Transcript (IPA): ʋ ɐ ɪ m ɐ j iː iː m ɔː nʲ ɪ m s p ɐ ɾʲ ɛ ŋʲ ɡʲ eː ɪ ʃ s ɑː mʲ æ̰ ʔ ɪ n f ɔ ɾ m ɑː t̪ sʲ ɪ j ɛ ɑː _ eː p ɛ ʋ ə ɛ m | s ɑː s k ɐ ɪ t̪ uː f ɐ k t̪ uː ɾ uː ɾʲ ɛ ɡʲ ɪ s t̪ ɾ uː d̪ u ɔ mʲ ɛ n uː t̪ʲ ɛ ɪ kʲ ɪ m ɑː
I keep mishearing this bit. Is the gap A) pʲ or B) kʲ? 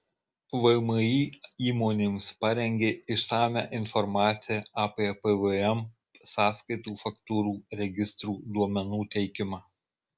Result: A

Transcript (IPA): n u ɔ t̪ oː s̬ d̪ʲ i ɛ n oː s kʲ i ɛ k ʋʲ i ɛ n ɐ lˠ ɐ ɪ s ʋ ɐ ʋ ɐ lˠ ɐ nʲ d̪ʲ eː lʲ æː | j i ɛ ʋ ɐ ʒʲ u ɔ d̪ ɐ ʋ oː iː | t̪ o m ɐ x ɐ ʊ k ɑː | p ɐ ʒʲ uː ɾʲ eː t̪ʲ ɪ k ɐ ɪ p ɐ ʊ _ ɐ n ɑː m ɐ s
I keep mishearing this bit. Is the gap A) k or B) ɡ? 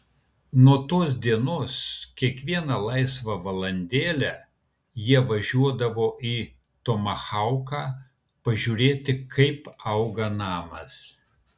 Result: B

